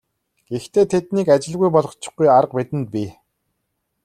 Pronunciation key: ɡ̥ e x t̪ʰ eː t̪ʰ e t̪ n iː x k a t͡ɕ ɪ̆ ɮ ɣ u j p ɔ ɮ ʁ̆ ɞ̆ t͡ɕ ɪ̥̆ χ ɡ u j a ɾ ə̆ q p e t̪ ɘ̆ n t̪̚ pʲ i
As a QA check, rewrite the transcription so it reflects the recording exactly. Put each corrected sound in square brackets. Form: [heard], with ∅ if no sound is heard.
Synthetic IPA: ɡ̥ e x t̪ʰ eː t̪ʰ e t̪ n iː [∅] k a t͡ɕ ɪ̆ ɮ ɣ u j p ɔ ɮ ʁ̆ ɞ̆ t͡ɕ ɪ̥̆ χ ɡ u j a ɾ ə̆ q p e t̪ ɘ̆ n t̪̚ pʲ i